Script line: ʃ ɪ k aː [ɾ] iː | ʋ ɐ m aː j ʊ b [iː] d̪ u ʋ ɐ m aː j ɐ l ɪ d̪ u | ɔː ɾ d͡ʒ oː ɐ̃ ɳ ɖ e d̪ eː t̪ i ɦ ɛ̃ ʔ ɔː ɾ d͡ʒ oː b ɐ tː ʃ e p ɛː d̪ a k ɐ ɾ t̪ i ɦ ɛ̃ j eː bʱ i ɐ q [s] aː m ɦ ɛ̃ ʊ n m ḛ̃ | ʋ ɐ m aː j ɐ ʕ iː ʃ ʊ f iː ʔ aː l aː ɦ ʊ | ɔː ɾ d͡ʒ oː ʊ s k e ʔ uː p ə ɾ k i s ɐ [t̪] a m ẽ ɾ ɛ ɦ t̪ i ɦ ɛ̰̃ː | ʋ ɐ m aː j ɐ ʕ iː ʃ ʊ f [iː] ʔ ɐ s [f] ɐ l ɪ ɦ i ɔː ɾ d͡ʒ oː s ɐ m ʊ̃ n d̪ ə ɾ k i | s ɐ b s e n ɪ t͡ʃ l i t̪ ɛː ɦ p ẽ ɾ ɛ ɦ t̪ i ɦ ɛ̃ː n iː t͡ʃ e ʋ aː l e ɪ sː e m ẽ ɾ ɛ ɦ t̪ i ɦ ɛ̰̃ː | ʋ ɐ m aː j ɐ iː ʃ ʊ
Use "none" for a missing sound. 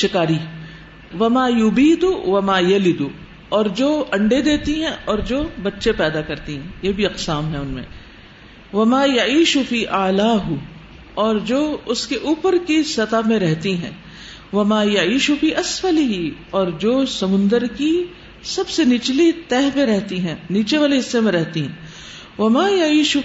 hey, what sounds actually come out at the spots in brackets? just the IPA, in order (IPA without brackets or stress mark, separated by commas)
ɾ, iː, s, t̪, iː, f